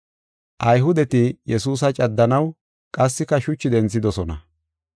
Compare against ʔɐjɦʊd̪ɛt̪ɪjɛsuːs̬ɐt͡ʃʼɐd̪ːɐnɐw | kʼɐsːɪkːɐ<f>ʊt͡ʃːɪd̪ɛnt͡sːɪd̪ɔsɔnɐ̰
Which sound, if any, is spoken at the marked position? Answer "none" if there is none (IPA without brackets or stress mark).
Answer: ʃ